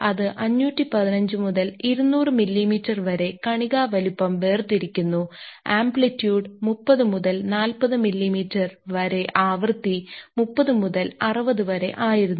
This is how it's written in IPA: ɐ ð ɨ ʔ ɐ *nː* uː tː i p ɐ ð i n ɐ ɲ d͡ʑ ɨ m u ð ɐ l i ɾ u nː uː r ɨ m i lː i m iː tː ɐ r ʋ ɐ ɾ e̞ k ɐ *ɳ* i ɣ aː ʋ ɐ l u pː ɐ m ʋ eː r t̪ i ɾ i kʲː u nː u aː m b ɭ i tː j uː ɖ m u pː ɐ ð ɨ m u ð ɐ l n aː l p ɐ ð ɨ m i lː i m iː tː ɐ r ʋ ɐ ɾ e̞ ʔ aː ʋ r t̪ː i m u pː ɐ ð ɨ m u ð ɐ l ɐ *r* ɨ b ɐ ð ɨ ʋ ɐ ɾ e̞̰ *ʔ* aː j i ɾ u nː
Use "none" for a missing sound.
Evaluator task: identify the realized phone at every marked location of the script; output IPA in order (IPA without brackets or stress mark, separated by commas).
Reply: ɲː, ɳ, r, ʔ